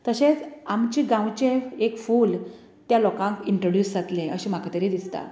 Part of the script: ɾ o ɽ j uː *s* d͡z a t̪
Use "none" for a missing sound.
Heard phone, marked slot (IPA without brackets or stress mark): s